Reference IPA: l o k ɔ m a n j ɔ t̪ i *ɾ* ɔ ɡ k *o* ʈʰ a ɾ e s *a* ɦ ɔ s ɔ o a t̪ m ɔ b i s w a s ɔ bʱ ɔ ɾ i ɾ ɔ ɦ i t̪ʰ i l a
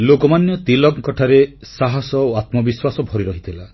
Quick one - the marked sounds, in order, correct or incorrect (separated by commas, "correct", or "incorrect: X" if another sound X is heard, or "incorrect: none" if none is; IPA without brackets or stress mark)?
incorrect: l, incorrect: ɔ, correct